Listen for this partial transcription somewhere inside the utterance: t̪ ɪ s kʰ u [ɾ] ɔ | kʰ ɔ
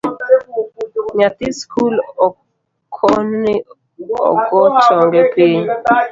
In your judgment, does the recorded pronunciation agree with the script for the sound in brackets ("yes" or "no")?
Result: no